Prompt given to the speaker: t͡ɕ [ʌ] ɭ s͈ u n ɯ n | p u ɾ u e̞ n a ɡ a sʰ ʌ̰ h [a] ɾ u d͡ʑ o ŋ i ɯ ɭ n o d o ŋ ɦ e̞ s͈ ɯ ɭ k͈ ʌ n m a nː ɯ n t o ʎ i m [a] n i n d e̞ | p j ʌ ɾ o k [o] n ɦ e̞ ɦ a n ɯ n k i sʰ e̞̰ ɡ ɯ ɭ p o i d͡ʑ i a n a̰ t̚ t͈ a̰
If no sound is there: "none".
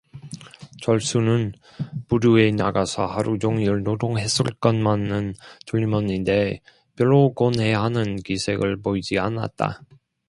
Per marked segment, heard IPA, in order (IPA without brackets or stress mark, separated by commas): ʌ, a, ʌ, o